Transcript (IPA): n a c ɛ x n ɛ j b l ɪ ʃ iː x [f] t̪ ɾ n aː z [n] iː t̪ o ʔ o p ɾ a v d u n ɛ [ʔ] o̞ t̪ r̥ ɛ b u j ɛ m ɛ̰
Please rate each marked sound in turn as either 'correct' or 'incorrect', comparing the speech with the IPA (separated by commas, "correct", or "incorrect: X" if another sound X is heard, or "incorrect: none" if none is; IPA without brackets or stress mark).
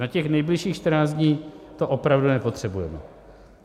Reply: incorrect: ʃ, incorrect: ɲ, incorrect: p